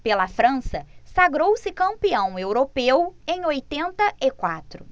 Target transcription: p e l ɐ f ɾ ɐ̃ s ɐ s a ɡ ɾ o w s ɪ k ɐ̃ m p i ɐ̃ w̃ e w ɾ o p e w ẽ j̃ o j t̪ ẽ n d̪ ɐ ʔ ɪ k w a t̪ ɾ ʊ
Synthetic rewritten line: p e l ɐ f ɾ ɐ̃ s ɐ s a ɡ ɾ o w s ɪ k ɐ̃ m p i ɐ̃ w̃ e w ɾ o p e w ẽ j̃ o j t̪ ẽ n t̪ ɐ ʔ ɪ k w a t̪ ɾ ʊ